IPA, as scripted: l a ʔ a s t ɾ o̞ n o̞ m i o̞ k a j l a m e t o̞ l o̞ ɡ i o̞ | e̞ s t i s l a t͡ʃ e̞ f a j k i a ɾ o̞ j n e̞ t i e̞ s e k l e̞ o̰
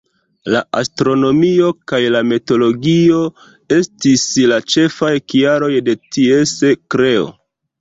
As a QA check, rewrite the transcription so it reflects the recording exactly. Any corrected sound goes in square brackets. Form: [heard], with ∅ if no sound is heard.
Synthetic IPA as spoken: l a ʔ a s t ɾ o̞ n o̞ m i o̞ k a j l a m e t o̞ l o̞ ɡ i o̞ | e̞ s t i s l a t͡ʃ e̞ f a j k i a ɾ o̞ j [d] e̞ t i e̞ s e k [ɾ] e̞ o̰

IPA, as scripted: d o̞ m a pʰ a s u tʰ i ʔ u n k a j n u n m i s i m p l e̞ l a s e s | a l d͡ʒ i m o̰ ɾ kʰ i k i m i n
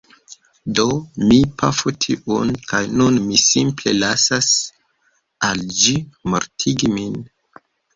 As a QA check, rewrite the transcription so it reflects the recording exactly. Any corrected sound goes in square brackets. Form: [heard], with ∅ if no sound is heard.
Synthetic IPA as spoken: d o̞ m [i] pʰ a [f] u tʰ i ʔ u n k a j n u n m i s i m p l e̞ l a s [a] s | a l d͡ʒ i m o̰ ɾ [tʰ] i [ɡ] i m i n

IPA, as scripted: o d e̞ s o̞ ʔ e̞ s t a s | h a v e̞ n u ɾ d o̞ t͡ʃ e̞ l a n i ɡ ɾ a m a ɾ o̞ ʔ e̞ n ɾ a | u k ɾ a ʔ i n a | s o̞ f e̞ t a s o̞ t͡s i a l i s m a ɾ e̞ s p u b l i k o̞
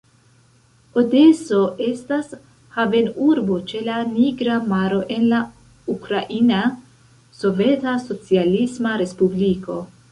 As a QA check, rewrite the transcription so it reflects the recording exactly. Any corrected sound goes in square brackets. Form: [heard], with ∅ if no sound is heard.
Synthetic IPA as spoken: o d e̞ s o̞ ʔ e̞ s t a s | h a v e̞ n u ɾ [b] o̞ t͡ʃ e̞ l a n i ɡ ɾ a m a ɾ o̞ ʔ e̞ n [l] a | u k ɾ a ʔ i n a | s o̞ [v] e̞ t a s o̞ t͡s i a l i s m a ɾ e̞ s p u b l i k o̞

